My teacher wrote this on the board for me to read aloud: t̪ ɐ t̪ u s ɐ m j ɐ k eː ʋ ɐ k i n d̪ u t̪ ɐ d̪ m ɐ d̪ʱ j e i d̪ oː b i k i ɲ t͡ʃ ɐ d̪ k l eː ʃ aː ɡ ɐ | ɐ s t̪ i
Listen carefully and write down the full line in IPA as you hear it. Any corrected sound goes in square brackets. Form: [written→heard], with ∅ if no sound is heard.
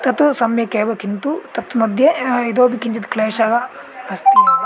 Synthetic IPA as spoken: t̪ ɐ t̪ u s ɐ m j ɐ k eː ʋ ɐ k i n [d̪→t̪] u t̪ ɐ [d̪→t̪] m ɐ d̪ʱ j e i d̪ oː b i k i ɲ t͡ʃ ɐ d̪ k l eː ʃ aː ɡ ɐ | ɐ s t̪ i